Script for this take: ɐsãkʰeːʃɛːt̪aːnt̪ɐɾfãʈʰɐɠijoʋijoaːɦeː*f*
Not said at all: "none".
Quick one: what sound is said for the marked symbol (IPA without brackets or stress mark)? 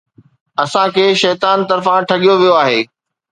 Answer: none